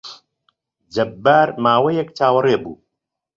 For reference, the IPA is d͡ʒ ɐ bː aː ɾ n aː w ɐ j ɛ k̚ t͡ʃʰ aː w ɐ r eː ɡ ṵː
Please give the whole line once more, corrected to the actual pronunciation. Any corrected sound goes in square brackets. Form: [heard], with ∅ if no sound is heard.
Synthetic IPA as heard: d͡ʒ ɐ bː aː ɾ [m] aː w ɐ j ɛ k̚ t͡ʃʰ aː w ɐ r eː [b] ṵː